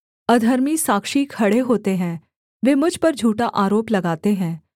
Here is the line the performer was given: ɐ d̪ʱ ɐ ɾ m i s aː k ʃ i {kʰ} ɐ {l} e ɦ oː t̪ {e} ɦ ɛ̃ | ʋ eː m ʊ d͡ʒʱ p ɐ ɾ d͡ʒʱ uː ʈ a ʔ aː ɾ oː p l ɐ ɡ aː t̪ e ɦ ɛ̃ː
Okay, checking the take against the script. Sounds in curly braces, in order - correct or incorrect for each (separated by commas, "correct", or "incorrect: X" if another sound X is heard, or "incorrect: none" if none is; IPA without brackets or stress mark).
correct, incorrect: ɽ, correct